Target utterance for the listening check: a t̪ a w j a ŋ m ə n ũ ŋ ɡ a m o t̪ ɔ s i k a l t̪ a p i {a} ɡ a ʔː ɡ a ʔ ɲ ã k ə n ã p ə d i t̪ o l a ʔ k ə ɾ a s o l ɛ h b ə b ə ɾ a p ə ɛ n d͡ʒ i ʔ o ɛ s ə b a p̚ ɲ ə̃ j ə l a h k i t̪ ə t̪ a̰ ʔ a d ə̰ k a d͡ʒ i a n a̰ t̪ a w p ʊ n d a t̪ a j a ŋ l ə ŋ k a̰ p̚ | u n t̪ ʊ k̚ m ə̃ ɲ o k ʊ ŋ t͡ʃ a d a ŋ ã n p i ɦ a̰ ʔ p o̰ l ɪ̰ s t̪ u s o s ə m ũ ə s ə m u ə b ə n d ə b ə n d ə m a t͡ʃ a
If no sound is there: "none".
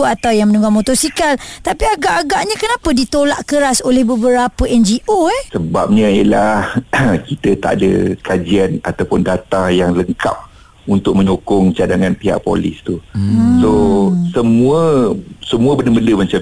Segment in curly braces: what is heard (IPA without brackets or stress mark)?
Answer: a